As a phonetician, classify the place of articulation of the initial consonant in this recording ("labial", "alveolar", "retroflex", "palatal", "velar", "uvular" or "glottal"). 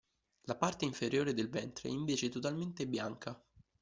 alveolar